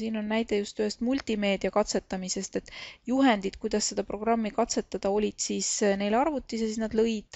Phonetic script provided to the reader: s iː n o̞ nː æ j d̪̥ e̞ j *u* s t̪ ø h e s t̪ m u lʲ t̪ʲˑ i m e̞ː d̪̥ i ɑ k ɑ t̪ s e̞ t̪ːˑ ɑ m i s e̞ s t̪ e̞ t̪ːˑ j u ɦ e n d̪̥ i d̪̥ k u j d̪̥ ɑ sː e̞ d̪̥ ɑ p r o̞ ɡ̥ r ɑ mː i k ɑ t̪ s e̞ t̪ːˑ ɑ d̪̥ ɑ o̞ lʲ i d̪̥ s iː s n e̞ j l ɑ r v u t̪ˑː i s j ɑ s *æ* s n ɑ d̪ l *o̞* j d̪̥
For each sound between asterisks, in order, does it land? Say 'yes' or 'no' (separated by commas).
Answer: yes, no, no